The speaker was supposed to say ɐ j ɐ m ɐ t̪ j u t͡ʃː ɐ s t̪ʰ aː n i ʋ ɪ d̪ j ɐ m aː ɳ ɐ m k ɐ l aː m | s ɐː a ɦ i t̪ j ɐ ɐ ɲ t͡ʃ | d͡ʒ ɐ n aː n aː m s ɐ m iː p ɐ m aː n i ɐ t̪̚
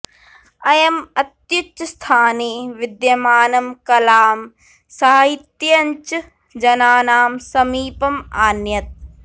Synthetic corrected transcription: ɐ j ɐ m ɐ t̪ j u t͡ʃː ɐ s t̪ʰ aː n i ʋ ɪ d̪ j ɐ m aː n ɐ m k ɐ l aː m | s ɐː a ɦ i t̪ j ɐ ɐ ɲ t͡ʃ | d͡ʒ ɐ n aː n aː m s ɐ m iː p ɐ m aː n j ɐ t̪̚